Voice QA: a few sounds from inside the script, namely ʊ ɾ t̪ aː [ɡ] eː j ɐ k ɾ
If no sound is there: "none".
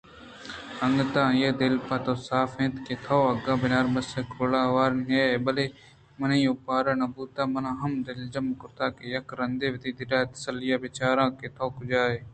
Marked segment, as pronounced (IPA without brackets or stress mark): k